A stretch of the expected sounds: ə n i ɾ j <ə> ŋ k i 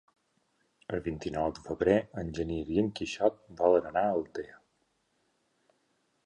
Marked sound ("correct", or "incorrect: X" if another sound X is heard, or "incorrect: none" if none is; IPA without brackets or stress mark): correct